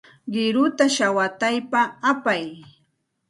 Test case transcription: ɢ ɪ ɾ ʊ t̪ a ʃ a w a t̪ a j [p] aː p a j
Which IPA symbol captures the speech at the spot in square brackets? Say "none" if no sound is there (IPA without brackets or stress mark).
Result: p